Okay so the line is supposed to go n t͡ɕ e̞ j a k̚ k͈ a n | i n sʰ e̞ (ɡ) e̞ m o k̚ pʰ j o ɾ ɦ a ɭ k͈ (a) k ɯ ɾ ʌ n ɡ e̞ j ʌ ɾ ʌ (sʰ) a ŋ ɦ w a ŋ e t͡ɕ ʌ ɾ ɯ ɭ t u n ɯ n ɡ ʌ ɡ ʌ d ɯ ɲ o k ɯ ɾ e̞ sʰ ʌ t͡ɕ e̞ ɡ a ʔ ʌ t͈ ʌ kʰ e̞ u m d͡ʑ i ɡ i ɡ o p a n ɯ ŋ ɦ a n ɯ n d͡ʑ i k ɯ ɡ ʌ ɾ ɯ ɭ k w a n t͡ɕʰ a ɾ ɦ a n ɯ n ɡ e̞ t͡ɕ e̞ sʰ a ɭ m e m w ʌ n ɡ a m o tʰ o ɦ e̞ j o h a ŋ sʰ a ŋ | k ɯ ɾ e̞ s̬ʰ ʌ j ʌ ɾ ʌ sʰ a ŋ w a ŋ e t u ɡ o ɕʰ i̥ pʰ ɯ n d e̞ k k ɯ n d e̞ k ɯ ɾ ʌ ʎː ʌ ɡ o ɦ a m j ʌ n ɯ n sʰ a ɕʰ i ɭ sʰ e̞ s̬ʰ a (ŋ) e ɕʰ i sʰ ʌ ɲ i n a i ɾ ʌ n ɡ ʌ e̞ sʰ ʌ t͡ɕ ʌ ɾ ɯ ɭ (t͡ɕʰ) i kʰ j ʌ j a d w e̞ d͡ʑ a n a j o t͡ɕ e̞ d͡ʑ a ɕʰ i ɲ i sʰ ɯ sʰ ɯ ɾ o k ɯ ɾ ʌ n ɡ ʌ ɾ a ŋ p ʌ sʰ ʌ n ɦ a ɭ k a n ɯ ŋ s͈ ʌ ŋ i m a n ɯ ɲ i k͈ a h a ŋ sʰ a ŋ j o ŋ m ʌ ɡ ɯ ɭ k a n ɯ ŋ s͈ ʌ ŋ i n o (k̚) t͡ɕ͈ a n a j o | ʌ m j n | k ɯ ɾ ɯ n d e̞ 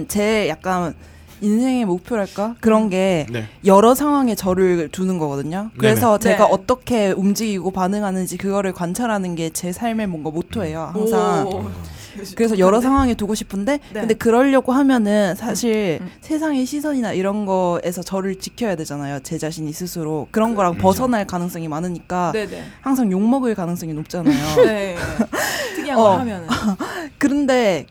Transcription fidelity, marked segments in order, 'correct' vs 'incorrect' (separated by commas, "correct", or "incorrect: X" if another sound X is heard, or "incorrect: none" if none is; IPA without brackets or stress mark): incorrect: ŋ, correct, correct, correct, incorrect: t͡ɕ, incorrect: p̚